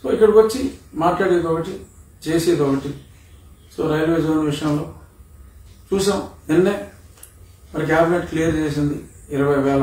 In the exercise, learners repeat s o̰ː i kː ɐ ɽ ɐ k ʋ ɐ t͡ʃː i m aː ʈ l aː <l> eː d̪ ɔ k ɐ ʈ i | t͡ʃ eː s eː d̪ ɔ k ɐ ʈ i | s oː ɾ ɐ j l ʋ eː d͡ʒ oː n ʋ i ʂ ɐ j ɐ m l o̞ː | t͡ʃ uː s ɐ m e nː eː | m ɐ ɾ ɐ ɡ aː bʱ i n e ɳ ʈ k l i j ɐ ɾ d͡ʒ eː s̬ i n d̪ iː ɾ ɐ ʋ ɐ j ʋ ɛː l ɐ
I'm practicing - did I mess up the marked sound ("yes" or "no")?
yes